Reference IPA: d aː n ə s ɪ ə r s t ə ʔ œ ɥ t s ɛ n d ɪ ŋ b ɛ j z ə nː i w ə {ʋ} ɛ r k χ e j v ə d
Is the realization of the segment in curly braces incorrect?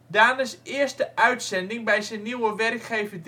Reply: no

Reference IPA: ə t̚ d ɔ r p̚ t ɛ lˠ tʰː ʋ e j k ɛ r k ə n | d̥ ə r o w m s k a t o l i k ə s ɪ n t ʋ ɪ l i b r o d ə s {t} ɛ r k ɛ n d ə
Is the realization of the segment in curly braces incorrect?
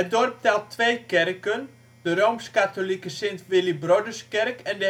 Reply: yes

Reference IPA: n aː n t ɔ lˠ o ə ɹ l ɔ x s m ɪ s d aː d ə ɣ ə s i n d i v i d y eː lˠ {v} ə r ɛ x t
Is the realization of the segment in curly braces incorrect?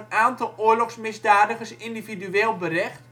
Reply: yes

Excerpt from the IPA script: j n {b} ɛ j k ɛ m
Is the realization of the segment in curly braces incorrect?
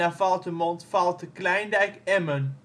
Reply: yes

